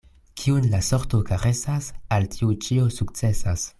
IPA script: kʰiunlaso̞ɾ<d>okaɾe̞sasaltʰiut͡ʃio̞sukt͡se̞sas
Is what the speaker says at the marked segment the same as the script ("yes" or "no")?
no